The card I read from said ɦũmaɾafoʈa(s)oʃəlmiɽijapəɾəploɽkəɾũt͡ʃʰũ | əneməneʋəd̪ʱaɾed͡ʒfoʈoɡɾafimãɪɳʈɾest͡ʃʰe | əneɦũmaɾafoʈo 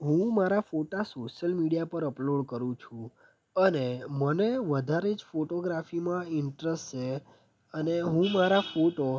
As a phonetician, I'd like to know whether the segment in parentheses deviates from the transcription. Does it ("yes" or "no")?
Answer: no